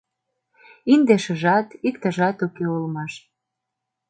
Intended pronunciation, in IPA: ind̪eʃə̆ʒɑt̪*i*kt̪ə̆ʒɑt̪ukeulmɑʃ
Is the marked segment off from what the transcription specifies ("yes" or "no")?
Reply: no